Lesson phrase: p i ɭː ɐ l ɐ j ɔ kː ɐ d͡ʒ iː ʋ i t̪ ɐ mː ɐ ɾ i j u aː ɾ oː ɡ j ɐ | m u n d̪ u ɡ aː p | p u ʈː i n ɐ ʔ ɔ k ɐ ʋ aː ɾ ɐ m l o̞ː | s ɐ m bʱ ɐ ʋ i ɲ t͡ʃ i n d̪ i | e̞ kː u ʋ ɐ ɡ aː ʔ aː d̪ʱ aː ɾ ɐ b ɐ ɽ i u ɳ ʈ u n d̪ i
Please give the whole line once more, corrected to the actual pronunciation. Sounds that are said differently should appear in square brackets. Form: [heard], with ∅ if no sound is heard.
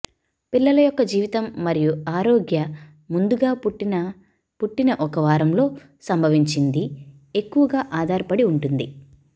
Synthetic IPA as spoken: p i [lː] ɐ l ɐ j ɔ kː ɐ d͡ʒ iː ʋ i t̪ ɐ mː ɐ ɾ i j u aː ɾ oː ɡ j ɐ | m u n d̪ u ɡ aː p | p u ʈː i n ɐ ʔ ɔ k ɐ ʋ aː ɾ ɐ m l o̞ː | s ɐ m bʱ ɐ ʋ i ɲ t͡ʃ i n d̪ i | e̞ kː u ʋ ɐ ɡ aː ʔ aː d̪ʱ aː ɾ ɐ [p] ɐ ɽ i u ɳ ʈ u n d̪ i

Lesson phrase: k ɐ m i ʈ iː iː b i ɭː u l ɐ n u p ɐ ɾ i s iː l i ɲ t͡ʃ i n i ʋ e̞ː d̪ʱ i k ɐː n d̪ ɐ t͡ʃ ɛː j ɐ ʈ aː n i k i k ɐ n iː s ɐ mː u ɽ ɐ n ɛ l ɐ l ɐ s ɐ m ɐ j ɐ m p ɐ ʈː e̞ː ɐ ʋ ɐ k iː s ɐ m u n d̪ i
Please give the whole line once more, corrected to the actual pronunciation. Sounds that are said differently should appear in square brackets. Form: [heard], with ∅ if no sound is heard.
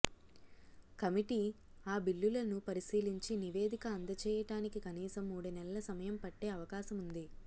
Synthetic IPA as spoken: k ɐ m i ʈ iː [aː] b i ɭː u l ɐ n u p ɐ ɾ i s iː l i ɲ t͡ʃ i n i ʋ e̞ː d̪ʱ i k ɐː n d̪ ɐ t͡ʃ ɛː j ɐ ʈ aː n i k i k ɐ n iː s ɐ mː [uː] ɽ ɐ n ɛ l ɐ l ɐ s ɐ m ɐ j ɐ m p ɐ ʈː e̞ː ɐ ʋ ɐ k [aː] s ɐ m u n d̪ i

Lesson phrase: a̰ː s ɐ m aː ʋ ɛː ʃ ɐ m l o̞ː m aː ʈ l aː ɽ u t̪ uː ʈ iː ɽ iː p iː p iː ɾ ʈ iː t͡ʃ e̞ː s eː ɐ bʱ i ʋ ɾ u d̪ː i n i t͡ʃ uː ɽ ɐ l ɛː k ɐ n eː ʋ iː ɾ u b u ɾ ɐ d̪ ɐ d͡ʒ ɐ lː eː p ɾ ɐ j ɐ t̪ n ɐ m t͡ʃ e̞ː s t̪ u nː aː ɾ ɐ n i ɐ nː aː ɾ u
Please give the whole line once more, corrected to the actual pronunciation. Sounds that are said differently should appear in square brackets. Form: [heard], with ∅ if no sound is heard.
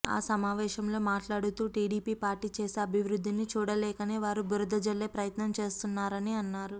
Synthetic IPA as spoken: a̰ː s ɐ m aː ʋ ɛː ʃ ɐ m l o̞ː m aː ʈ l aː ɽ u t̪ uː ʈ iː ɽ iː p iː p [aː] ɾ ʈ iː t͡ʃ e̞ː s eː ɐ bʱ i ʋ ɾ u d̪ː i n i t͡ʃ uː ɽ ɐ l ɛː k ɐ n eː ʋ [aː] ɾ u b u ɾ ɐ d̪ ɐ d͡ʒ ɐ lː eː p ɾ ɐ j ɐ t̪ n ɐ m t͡ʃ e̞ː s t̪ u nː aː ɾ ɐ n i ɐ nː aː ɾ u

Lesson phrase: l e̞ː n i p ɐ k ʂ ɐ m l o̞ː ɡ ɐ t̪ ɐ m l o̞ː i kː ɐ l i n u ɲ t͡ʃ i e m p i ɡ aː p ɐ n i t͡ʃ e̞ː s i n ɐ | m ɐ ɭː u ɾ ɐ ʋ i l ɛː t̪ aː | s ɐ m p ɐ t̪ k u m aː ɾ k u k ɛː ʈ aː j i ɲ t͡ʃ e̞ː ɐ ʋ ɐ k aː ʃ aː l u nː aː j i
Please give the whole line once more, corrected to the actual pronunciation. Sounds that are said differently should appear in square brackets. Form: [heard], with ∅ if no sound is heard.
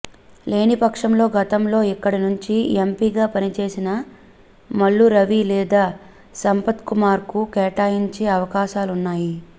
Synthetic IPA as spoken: l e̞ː n i p ɐ k ʂ ɐ m l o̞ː ɡ ɐ t̪ ɐ m l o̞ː i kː ɐ [ɽ] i n u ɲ t͡ʃ i e m p i ɡ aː p ɐ n i t͡ʃ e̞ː s i n ɐ | m ɐ ɭː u ɾ ɐ ʋ i l ɛː [d̪] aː | s ɐ m p ɐ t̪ k u m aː ɾ k u k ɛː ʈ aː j i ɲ t͡ʃ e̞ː ɐ ʋ ɐ k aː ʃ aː l u nː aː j i

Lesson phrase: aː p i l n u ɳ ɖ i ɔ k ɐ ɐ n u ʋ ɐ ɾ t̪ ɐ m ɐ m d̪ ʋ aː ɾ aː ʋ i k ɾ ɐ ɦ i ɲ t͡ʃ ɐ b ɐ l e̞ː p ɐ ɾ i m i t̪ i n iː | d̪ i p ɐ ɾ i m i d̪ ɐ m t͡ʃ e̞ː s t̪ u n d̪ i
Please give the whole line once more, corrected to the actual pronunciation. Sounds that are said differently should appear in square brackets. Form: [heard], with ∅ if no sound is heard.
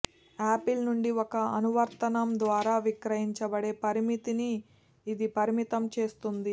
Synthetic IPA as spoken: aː p i l n u ɳ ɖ i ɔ k ɐ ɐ n u ʋ ɐ ɾ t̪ ɐ [n] ɐ m d̪ ʋ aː ɾ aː ʋ i k ɾ ɐ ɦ i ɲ t͡ʃ ɐ b ɐ [ɽ] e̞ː p ɐ ɾ i m i t̪ i n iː | d̪ i p ɐ ɾ i m i [t̪] ɐ m t͡ʃ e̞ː s t̪ u n d̪ i

